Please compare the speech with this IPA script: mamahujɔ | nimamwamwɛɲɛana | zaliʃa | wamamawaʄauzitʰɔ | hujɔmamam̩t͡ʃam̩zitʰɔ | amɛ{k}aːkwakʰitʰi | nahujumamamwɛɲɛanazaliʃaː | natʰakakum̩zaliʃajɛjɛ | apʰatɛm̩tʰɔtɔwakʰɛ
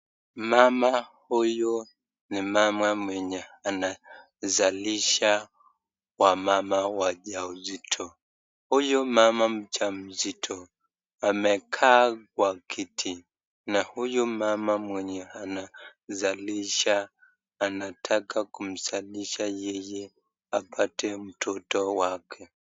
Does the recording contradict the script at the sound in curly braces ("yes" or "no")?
yes